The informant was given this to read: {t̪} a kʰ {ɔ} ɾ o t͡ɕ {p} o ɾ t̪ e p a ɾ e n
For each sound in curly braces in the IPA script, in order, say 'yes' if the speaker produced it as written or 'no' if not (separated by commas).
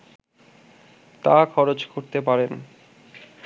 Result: yes, yes, no